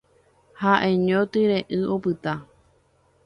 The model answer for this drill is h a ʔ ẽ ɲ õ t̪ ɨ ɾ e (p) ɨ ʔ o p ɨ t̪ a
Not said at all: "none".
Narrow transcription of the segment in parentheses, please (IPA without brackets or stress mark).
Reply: ʔ